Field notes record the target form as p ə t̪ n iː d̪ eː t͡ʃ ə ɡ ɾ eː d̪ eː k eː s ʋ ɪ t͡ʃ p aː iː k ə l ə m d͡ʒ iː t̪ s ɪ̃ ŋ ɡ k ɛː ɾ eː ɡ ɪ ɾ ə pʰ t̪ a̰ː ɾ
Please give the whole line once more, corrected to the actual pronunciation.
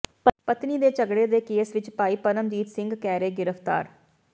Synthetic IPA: p ə t̪ n iː d̪ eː t͡ʃ ə ɡ ɽ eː d̪ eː k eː s ʋ ɪ t͡ʃ p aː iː p ə ɾ ə m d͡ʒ iː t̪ s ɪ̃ ŋ ɡ k ɛː ɾ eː ɡ ɪ ɾ ə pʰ t̪ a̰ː ɾ

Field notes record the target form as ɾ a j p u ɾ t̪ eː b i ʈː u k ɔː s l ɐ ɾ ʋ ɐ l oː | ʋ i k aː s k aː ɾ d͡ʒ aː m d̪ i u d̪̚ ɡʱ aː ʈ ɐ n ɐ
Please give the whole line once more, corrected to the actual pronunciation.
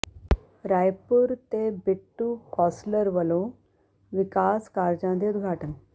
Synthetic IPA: ɾ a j p u ɾ t̪ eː b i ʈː u k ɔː s l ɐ ɾ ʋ ɐ l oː | ʋ i k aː s k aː ɾ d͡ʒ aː n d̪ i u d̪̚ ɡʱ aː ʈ ɐ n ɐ

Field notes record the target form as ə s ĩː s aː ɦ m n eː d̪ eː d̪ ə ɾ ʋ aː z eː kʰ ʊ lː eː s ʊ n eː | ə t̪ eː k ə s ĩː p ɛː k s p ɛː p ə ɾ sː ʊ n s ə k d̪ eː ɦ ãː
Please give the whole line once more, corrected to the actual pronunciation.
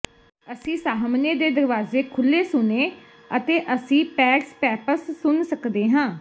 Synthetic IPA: ə s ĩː s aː ɦ m n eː d̪ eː d̪ ə ɾ ʋ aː z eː kʰ ʊ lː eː s ʊ n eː | ə t̪ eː ʔ ə s ĩː p ɛː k s p ɛː p ə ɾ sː ʊ n s ə k d̪ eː ɦ ãː

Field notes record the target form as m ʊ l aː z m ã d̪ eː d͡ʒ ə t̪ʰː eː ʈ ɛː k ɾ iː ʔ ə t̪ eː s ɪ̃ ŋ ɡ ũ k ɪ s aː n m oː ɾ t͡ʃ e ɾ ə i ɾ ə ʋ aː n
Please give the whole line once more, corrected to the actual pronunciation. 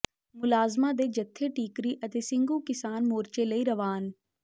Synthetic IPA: m ʊ l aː z m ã d̪ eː d͡ʒ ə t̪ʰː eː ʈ iː k ɾ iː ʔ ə t̪ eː s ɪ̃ ŋ ɡ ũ k ɪ s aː n m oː ɾ t͡ʃ e l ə i ɾ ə ʋ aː n

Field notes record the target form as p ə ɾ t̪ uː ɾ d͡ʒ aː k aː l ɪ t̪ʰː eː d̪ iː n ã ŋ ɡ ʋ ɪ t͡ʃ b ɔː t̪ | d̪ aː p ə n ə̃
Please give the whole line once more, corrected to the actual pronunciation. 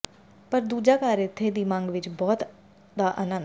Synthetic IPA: p ə ɾ d̪ uː d͡ʒ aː k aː ɾ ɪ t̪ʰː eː d̪ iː m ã ŋ ɡ ʋ ɪ t͡ʃ b ɔː t̪ | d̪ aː ʔ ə n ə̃

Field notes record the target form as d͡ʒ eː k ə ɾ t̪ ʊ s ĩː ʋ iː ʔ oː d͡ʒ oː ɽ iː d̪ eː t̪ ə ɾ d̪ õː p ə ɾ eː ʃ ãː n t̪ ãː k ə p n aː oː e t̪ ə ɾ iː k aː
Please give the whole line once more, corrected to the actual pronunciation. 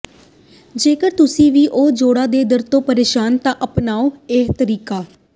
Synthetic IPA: d͡ʒ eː k ə ɾ t̪ ʊ s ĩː ʋ iː ʔ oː d͡ʒ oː ɽ aː d̪ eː d̪ ə ɾ t̪ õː p ə ɾ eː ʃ aː n t̪ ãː ʔ ə p n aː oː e t̪ ə ɾ iː k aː

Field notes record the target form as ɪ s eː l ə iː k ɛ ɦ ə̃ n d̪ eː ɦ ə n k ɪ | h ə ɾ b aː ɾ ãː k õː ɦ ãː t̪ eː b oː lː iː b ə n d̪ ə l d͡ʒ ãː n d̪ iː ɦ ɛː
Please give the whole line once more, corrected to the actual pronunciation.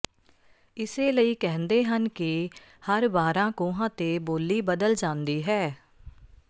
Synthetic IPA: ɪ s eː l ə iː k ɛ ɦ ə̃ n d̪ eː ɦ ə n k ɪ | h ə ɾ b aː ɾ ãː k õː ɦ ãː t̪ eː b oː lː iː b ə d̪ ə l d͡ʒ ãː n d̪ iː ɦ ɛː

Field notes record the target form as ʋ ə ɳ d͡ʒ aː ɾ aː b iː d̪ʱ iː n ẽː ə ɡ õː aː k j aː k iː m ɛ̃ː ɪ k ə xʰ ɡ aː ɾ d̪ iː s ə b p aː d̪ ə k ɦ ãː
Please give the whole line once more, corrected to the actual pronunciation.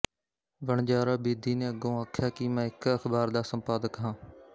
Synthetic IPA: ʋ ə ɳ d͡ʒ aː ɾ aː b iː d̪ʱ iː n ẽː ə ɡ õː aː kʰ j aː k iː m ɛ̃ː ɪ k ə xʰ b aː ɾ d̪ aː s ə m p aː d̪ ə k ɦ ãː

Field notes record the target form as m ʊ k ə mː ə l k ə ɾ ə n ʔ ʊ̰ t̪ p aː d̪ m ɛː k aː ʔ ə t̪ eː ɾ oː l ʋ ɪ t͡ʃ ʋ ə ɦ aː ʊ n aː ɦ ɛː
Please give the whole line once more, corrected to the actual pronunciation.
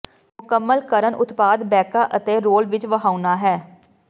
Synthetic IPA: m ʊ k ə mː ə l k ə ɾ ə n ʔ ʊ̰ t̪ p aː d̪ b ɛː k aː ʔ ə t̪ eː ɾ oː l ʋ ɪ t͡ʃ ʋ ə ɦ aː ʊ n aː ɦ ɛː

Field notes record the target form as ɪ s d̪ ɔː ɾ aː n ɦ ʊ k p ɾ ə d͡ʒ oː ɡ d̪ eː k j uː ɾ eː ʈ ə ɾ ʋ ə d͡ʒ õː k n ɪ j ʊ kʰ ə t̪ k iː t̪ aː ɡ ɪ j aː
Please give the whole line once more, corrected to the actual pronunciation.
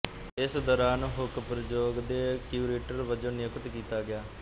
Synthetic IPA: ɪ s d̪ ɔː ɾ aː n ɦ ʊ k p ɾ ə d͡ʒ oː ɡ d̪ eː k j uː ɾ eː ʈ ə ɾ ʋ ə d͡ʒ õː n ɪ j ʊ k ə t̪ k iː t̪ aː ɡ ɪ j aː

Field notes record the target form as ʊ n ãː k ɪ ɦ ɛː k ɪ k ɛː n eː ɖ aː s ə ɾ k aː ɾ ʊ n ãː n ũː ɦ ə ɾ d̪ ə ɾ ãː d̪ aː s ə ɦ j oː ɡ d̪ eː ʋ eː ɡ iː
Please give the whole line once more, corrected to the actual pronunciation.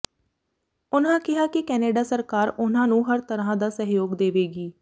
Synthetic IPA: ʊ n ãː k ɪ ɦ aː k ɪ k ɛː n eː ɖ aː s ə ɾ k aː ɾ ʊ n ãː n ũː ɦ ə ɾ t̪ ə ɾ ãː d̪ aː s ə ɦ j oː ɡ d̪ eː ʋ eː ɡ iː

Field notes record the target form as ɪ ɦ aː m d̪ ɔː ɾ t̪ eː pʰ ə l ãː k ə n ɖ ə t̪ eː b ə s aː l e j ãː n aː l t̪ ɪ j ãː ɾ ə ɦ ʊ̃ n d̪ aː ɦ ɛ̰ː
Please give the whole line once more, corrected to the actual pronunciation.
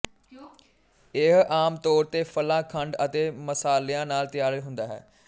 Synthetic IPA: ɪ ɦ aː m t̪ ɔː ɾ t̪ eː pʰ ə l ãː kʰ ə ɳ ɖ ə t̪ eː m ə s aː l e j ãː n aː l t̪ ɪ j aː ɾ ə ɦ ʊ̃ n d̪ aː ɦ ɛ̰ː

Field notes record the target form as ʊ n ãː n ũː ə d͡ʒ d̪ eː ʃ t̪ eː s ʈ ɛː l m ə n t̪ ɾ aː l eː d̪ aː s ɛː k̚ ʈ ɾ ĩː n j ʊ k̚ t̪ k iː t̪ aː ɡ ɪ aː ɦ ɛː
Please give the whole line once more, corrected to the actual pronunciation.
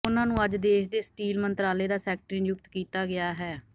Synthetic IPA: ʊ n ãː n ũː ə d͡ʒ d̪ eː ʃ d̪ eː s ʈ iː l m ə n t̪ ɾ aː l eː d̪ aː s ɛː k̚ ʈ ɾ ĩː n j ʊ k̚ t̪ k iː t̪ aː ɡ ɪ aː ɦ ɛː

